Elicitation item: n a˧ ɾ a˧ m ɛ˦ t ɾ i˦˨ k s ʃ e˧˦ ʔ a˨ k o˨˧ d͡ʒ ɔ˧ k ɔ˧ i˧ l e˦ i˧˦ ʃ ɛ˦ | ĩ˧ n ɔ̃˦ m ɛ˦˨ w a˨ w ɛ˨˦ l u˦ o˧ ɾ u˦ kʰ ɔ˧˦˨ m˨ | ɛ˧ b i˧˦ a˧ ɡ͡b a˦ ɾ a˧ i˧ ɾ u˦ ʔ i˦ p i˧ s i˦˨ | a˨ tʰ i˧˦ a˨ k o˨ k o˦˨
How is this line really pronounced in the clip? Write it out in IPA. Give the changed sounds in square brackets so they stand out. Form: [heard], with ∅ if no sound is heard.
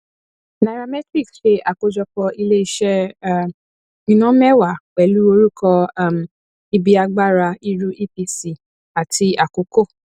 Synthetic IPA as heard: n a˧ ɾ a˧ m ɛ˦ t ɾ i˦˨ k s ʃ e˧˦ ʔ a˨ k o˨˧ d͡ʒ ɔ˧ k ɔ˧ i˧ l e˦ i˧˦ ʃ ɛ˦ | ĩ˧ n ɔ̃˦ m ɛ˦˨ w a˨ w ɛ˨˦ l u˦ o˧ ɾ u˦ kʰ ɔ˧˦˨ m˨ | [i˧] b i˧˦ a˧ ɡ͡b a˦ ɾ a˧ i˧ ɾ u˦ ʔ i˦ p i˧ s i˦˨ | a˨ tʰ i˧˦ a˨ k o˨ k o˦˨